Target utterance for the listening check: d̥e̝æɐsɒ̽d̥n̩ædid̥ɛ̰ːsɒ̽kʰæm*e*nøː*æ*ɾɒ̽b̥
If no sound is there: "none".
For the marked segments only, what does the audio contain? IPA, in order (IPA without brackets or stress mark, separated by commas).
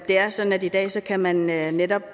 æ, e